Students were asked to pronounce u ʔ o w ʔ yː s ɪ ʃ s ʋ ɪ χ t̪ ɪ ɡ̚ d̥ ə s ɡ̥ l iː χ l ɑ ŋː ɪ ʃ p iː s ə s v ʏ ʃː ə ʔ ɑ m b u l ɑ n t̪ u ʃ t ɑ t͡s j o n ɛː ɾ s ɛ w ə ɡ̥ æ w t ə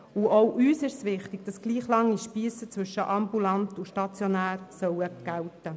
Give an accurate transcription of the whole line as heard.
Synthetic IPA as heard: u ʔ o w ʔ yː s ɪ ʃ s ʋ ɪ χ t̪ ɪ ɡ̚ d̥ ɑ s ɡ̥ l iː χ l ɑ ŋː i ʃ p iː s ə t͡s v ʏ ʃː ə ʔ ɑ m b u l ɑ n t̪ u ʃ t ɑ t͡s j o n æː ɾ s œ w ə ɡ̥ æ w t ə